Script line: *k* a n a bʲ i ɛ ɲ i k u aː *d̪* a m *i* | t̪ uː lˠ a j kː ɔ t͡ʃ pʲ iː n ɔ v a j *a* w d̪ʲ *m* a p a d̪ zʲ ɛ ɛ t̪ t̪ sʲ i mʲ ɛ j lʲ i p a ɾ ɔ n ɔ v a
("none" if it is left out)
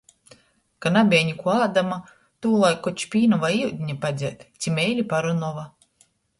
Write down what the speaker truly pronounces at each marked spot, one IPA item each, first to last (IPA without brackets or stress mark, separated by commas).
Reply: k, d̪, a, i, ɲ